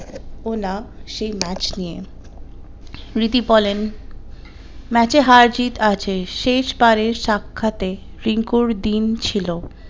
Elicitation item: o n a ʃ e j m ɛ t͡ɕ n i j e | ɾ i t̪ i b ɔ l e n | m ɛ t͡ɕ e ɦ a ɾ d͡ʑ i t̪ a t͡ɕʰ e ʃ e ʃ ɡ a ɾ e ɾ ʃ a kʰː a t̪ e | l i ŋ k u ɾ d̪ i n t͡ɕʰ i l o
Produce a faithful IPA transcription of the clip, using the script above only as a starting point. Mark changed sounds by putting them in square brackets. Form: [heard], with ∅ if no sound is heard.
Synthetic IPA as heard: o n a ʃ e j m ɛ t͡ɕ n i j e | ɾ i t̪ i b ɔ l e n | m ɛ t͡ɕ e ɦ a ɾ d͡ʑ i t̪ a t͡ɕʰ e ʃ e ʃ [b] a ɾ e ɾ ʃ a kʰː a t̪ e | [ɾ] i ŋ k u ɾ d̪ i n t͡ɕʰ i l o